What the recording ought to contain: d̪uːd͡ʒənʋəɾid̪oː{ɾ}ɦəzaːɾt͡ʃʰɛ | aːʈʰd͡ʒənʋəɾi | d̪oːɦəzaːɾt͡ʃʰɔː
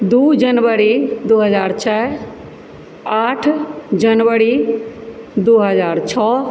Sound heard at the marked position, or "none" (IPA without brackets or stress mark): none